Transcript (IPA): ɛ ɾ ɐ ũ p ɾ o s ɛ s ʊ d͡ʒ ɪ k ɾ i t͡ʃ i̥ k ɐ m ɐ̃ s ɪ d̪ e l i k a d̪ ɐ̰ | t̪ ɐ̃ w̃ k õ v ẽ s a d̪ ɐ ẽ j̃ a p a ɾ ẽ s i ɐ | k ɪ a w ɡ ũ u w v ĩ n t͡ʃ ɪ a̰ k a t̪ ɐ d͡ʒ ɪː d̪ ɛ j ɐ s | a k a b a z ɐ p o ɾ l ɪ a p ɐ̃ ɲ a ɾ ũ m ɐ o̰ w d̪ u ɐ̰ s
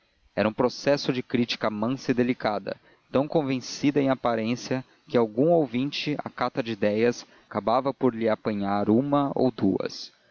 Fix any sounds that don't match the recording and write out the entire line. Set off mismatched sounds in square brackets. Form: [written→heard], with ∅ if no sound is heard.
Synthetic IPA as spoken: ɛ ɾ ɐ ũ p ɾ o s ɛ s ʊ d͡ʒ ɪ k ɾ i t͡ʃ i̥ k ɐ m ɐ̃ s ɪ d̪ e l i k a d̪ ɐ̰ | t̪ ɐ̃ w̃ k õ v ẽ s [a→i] d̪ ɐ ẽ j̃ a p a ɾ ẽ s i ɐ | k ɪ a w ɡ ũ [u→o] w v ĩ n t͡ʃ ɪ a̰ k a t̪ ɐ d͡ʒ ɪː d̪ ɛ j ɐ s | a k a b a [z→v] ɐ p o ɾ l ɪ a p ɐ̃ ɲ a ɾ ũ m ɐ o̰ w d̪ u ɐ̰ s